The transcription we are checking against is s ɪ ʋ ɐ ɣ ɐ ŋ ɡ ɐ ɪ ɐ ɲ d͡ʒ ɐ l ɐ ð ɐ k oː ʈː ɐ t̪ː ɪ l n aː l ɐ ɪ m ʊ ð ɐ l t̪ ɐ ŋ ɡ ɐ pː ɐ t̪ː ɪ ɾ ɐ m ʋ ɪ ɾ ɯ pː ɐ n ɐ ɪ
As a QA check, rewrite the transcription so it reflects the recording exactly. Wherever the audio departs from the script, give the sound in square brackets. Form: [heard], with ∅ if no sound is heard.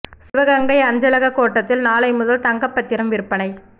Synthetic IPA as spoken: s ɪ ʋ ɐ ɣ ɐ ŋ ɡ ɐ ɪ ɐ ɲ d͡ʒ ɐ l ɐ [ɣ] ɐ k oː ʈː ɐ t̪ː ɪ l n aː l ɐ ɪ m ʊ ð ɐ l t̪ ɐ ŋ ɡ ɐ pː ɐ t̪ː ɪ ɾ ɐ m ʋ ɪ ɾ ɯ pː ɐ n ɐ ɪ